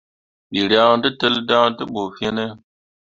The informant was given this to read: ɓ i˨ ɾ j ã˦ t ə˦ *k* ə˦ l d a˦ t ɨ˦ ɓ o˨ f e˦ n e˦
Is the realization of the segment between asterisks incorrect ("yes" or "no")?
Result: yes